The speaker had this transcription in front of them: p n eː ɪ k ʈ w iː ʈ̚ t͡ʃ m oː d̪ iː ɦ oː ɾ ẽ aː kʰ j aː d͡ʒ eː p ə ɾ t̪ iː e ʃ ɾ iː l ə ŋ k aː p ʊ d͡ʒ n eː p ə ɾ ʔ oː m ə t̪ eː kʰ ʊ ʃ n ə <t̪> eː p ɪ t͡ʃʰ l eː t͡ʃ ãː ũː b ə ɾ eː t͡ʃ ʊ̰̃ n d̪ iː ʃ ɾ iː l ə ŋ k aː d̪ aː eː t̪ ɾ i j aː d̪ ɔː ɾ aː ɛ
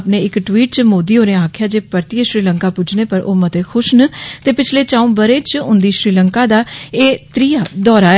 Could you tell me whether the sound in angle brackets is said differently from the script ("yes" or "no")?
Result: no